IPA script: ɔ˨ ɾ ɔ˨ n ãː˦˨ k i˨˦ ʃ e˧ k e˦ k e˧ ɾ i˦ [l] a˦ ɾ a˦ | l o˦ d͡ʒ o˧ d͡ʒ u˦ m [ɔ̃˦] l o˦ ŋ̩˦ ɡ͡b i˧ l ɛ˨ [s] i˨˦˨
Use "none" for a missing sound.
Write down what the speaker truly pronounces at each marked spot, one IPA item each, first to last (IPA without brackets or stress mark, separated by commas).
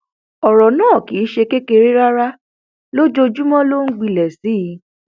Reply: ɾ, ɔ̃˦, s